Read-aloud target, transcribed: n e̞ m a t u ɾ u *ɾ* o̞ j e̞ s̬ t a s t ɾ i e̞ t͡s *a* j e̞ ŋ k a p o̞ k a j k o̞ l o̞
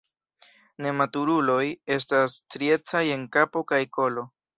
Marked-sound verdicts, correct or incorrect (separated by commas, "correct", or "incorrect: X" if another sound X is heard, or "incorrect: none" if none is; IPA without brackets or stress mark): incorrect: l, correct